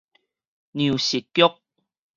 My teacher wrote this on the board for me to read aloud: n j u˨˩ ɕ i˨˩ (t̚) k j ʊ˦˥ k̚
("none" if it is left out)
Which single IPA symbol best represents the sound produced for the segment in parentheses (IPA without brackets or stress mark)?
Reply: t̚